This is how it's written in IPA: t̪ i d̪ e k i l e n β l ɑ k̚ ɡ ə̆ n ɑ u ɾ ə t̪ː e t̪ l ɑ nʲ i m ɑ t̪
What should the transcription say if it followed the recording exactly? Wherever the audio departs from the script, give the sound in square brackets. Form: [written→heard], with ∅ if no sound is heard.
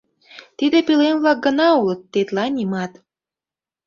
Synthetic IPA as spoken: t̪ i d̪ e [k→p] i l e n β l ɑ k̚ ɡ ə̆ n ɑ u [ɾ→l] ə t̪ː e t̪ l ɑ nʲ i m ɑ t̪